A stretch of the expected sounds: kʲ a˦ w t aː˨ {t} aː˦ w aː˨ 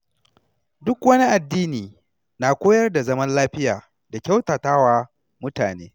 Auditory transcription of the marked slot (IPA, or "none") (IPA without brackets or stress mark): t